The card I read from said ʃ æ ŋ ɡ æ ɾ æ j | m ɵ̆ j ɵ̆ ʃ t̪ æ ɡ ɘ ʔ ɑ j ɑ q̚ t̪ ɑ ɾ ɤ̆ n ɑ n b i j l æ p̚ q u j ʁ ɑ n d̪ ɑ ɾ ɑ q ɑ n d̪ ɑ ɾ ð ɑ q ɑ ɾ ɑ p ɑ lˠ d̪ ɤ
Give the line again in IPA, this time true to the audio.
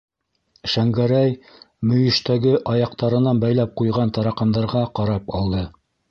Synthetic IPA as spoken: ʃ æ ŋ ɡ æ ɾ æ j | m ɵ̆ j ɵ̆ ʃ t̪ æ ɡ ɘ ʔ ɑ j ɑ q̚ t̪ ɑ ɾ ɤ̆ n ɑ n b æ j l æ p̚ q u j ʁ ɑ n t̪ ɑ ɾ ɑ q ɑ n d̪ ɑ ɾ ʁ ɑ q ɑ ɾ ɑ p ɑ lˠ d̪ ɤ